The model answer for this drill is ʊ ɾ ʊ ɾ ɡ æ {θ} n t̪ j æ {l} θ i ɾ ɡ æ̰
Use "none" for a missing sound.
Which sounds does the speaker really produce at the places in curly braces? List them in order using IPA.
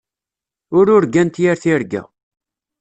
none, ɾ

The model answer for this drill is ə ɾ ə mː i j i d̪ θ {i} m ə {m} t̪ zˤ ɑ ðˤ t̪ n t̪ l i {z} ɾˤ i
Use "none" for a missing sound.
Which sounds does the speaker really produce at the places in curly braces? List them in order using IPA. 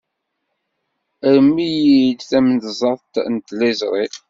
æ, n, z

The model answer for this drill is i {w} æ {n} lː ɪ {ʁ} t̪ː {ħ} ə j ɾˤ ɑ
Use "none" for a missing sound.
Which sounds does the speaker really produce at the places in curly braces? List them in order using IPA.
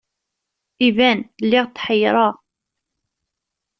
v, n, ʁ, ħ

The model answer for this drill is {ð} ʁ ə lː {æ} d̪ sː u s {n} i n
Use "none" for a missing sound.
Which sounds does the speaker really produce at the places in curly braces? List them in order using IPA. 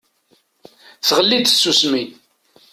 θ, i, m

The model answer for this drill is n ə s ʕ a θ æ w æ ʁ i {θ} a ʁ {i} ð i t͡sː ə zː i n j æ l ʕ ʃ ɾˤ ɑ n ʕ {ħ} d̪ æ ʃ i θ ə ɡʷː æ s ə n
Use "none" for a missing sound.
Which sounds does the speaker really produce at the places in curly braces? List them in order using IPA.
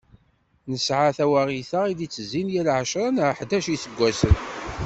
θ, i, ħ

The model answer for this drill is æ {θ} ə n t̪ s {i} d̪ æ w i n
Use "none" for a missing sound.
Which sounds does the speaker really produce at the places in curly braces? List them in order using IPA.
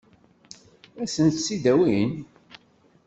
s, i

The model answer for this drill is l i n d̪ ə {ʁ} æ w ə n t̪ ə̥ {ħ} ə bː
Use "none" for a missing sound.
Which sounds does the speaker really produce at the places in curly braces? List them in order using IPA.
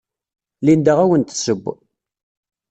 ʁ, s

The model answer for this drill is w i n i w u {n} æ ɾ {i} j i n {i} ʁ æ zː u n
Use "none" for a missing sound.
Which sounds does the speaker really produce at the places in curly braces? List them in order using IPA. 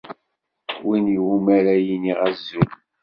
m, æ, i

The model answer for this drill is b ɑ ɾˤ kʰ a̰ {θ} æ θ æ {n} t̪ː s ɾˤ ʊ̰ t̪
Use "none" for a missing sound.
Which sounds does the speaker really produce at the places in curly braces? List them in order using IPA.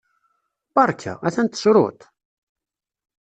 none, n

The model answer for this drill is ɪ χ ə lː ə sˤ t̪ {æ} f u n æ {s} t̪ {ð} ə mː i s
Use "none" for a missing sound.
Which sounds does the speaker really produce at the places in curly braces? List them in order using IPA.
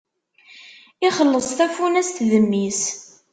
æ, s, ð

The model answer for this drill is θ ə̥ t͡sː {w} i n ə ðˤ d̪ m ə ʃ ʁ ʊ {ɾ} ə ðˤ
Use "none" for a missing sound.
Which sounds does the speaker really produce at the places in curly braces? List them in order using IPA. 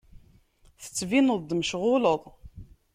v, l

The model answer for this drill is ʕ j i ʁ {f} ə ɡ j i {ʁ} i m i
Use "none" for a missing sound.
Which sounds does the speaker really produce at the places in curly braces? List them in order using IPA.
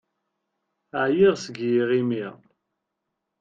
s, ʁ

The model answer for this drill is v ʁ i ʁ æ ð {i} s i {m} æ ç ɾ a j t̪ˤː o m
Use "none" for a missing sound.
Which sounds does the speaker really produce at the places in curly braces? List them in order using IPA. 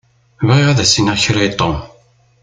æ, n

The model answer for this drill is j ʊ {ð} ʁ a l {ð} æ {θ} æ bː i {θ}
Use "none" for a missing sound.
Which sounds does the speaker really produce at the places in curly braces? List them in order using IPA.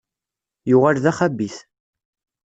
none, ð, χ, θ

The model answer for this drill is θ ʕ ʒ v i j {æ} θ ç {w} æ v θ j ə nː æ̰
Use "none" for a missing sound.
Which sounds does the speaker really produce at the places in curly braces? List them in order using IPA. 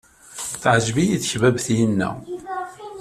i, v

